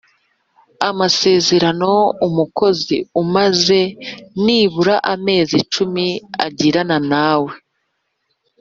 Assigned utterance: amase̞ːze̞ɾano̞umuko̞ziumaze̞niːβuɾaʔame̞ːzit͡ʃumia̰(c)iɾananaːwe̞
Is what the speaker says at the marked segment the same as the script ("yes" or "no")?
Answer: no